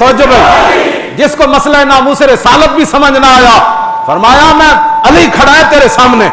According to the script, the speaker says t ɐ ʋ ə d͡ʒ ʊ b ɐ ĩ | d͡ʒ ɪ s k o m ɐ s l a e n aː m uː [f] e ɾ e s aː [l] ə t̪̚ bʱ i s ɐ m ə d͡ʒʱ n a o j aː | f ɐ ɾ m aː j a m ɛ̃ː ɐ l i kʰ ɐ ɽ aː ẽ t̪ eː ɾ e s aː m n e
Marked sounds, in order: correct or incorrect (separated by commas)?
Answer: incorrect, correct